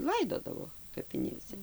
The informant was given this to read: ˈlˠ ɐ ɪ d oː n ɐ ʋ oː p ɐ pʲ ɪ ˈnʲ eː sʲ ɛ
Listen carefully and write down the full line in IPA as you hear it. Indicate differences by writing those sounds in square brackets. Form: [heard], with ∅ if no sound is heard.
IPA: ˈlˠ ɐ ɪ d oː [d] ɐ ʋ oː [k] ɐ pʲ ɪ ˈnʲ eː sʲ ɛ